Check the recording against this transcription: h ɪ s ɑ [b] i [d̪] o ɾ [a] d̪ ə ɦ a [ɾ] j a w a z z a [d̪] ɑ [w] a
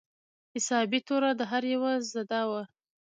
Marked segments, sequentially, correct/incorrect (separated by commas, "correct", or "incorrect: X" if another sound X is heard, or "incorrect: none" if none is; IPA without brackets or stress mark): correct, incorrect: t̪, correct, correct, correct, correct